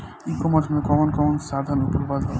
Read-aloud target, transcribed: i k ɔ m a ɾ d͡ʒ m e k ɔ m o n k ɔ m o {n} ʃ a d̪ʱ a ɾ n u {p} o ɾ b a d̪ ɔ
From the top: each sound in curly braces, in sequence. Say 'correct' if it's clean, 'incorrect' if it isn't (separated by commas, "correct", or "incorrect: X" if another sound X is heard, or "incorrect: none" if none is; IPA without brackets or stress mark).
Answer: correct, correct